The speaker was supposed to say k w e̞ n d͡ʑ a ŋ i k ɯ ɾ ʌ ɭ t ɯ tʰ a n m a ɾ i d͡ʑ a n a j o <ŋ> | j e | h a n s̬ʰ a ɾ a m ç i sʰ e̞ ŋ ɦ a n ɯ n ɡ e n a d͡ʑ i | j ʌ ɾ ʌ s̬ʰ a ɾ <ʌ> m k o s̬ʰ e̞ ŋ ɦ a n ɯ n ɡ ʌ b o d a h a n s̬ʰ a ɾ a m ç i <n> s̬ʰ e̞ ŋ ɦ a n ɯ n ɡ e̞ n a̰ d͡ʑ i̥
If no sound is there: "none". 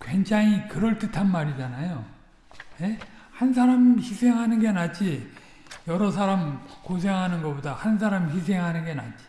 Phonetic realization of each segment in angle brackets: none, a, none

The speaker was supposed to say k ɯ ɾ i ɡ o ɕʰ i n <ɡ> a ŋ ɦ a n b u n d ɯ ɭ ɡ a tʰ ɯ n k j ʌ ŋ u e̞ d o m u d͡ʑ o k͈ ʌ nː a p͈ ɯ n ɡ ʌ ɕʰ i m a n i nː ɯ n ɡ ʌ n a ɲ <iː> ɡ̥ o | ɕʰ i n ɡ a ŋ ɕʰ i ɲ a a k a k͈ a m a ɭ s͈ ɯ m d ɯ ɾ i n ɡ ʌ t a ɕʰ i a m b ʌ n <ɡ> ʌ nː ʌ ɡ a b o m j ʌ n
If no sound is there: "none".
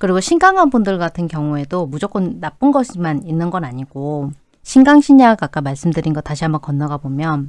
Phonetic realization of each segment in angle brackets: ɡ, i, k

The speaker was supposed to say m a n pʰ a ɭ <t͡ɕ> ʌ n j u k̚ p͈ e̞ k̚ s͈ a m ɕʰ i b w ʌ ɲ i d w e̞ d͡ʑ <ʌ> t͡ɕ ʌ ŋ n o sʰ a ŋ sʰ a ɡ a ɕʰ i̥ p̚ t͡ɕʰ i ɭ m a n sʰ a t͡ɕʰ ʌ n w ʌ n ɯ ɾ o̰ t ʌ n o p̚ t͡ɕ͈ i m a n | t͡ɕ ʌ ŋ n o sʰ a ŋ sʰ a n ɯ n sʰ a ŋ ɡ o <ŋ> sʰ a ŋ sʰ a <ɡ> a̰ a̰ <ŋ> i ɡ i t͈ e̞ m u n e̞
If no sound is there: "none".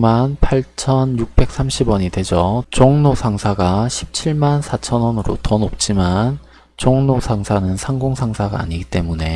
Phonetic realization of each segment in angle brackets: t͡ɕʰ, ʌ, ŋ, ɡ, ɲ

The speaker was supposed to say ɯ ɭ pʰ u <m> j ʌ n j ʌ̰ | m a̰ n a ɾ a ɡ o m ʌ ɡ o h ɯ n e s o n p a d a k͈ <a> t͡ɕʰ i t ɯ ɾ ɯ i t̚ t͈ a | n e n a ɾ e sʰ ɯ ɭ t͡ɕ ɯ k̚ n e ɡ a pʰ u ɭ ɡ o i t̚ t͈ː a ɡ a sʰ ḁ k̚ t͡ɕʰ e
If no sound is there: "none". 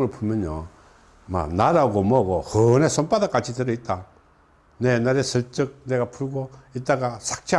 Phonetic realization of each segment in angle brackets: m, a

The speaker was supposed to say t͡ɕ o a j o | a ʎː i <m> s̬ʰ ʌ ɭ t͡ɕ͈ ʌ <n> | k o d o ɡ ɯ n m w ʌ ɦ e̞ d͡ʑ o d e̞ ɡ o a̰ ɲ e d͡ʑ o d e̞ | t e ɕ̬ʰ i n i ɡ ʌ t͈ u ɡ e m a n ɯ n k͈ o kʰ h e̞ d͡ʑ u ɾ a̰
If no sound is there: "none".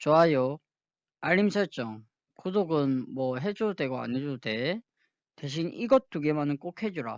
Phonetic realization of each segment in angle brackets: m, ŋ

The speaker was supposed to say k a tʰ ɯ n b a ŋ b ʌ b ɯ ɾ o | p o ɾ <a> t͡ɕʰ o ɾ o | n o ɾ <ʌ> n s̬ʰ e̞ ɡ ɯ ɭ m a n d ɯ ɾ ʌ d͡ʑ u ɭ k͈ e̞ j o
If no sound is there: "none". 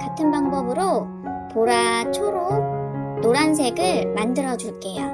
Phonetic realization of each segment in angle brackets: a, a

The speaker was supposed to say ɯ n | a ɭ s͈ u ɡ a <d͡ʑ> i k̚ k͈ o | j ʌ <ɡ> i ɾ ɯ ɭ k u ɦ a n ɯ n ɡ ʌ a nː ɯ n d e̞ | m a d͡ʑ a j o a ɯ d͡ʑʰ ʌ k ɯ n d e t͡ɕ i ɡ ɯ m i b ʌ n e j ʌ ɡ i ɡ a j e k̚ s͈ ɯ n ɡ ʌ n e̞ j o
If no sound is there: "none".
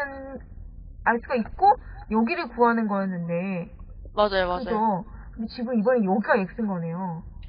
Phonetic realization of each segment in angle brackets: none, ɡ

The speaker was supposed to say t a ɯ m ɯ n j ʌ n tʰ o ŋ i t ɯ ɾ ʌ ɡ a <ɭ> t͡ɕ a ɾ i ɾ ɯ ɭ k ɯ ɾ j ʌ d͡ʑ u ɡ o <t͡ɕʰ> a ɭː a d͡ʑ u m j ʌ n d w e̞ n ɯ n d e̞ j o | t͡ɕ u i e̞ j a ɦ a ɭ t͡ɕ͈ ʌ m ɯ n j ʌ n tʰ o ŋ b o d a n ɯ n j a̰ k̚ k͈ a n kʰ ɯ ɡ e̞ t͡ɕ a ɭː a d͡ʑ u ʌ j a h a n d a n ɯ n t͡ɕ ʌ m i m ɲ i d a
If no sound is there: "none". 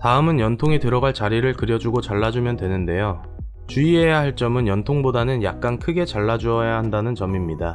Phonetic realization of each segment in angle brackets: ɭ, t͡ɕ

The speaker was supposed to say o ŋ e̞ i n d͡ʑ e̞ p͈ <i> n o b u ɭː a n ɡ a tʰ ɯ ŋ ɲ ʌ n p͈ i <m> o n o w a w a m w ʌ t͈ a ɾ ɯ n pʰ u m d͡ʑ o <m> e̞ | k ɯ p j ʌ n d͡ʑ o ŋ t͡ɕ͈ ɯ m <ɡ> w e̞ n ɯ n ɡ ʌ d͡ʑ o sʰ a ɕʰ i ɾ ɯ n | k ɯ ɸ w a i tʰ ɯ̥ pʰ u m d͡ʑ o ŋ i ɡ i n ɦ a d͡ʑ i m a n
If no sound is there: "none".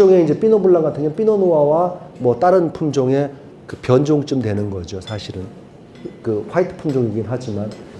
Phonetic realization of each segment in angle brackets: i, n, ŋ, d

